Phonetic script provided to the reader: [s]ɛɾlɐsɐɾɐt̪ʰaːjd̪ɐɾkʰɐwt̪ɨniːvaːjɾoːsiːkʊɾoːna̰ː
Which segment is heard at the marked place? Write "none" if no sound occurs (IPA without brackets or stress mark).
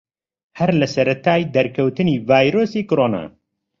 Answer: h